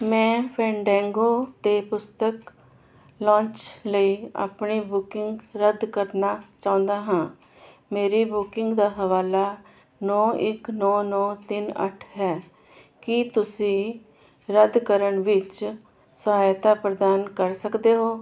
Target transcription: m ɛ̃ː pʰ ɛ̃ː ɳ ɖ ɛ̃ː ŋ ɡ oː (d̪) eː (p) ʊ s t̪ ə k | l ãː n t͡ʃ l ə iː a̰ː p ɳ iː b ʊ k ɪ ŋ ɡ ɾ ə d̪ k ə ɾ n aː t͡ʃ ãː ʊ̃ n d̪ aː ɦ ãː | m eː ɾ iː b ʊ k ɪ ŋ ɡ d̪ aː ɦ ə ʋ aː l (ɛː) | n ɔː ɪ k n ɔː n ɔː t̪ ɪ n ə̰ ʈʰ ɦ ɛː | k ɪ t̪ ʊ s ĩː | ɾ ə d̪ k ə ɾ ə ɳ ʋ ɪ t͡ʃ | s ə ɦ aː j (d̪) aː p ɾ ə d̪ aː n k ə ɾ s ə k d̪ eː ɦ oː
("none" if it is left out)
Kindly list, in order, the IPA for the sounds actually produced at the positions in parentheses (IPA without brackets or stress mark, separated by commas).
t̪, p, aː, t̪